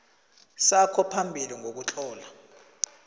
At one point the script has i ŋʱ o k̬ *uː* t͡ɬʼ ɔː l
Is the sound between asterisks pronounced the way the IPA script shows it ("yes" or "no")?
no